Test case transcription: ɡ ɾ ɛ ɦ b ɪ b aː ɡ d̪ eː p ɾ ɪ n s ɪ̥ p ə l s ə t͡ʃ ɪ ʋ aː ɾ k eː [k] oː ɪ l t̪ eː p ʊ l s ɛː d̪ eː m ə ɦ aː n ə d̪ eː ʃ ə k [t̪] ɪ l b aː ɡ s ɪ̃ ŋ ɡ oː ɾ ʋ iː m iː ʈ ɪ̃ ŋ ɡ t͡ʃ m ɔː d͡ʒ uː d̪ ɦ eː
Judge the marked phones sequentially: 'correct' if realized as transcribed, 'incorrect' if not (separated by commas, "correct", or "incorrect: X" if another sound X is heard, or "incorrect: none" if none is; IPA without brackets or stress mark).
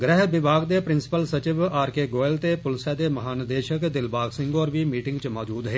incorrect: ɡ, incorrect: d̪